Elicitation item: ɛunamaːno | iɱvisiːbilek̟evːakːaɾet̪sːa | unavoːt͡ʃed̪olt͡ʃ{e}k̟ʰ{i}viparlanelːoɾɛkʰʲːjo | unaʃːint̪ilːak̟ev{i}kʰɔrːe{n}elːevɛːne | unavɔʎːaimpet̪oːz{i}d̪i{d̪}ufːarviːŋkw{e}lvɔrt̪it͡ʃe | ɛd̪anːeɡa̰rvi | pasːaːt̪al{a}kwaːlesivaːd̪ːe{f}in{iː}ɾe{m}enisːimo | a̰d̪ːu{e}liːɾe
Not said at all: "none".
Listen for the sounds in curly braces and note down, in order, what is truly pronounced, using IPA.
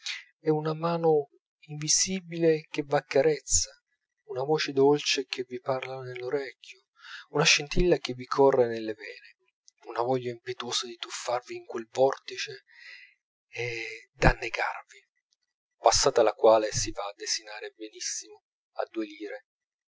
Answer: e, e, i, n, a, t̪, e, a, s, aː, b, e

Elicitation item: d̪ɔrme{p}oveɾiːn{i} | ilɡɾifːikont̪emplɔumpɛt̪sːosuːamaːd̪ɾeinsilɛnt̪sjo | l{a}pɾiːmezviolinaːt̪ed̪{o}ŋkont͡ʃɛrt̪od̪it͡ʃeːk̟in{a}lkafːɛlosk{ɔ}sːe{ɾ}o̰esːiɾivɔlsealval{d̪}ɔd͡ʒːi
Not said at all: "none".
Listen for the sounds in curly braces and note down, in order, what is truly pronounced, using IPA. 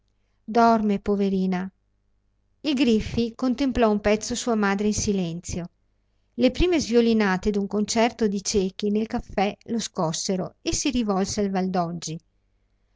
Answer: p, a, e, u, e, ɔ, ɾ, d̪

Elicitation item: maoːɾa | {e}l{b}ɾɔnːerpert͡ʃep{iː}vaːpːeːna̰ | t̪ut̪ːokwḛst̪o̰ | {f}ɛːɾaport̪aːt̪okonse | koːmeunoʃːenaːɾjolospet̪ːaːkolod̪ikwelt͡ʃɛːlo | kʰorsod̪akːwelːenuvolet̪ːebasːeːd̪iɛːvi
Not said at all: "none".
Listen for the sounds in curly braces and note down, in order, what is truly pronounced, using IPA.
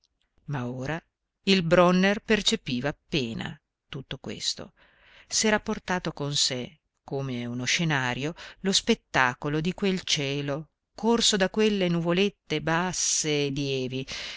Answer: i, b, iː, s

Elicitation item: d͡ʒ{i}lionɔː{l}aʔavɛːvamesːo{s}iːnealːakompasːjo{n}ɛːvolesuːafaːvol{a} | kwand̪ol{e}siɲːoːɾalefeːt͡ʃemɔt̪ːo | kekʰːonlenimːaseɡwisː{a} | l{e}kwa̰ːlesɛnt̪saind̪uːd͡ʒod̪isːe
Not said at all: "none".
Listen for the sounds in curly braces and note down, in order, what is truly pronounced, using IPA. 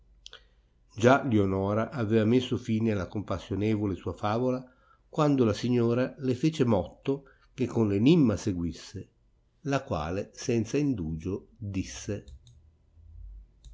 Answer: a, ɾ, f, n, a, a, e, a

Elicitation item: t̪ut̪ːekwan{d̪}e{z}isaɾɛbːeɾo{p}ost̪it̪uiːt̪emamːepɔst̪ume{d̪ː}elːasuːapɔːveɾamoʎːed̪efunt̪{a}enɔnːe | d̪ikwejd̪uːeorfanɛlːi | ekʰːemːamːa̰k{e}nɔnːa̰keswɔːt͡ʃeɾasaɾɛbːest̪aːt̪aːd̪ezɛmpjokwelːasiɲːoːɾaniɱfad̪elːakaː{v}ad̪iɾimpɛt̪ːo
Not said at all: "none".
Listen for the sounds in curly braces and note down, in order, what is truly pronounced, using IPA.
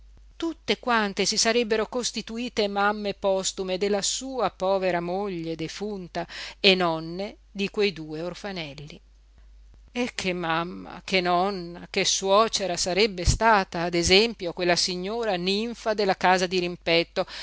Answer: t̪, s, k, d̪, a, e, z

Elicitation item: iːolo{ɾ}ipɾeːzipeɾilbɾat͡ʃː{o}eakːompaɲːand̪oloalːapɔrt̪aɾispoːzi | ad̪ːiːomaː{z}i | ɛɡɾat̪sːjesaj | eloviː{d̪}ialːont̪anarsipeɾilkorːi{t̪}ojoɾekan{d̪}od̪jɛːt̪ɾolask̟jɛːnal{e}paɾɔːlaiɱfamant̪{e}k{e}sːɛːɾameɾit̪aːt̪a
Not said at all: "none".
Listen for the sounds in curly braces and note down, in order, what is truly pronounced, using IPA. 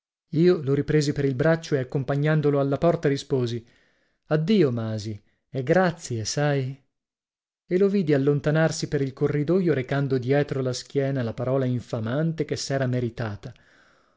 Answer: ɾ, o, z, d̪, d̪, d̪, a, e, e

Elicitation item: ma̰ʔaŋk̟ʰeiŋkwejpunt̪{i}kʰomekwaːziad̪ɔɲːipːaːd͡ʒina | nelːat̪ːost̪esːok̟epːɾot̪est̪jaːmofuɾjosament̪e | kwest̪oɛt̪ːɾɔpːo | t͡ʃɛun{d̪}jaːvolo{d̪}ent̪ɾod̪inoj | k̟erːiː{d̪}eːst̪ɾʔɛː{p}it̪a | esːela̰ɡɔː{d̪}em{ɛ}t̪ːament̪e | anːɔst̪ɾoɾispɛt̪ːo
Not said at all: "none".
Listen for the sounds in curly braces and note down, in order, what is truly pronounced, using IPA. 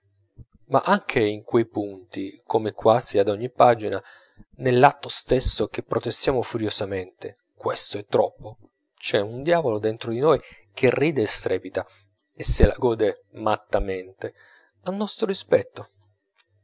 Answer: i, d̪, d̪, d̪, p, d̪, a

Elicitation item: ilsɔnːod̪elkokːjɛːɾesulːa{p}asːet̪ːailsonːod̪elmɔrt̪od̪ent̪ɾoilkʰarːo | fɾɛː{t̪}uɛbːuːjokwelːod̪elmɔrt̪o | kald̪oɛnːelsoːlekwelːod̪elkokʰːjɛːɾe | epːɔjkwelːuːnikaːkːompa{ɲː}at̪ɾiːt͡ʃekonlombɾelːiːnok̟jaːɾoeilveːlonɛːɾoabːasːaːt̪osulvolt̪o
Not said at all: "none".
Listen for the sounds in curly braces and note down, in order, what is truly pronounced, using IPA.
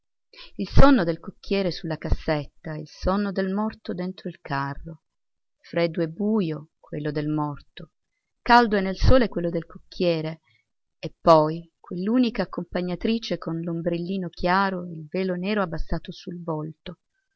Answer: k, d̪, ɲː

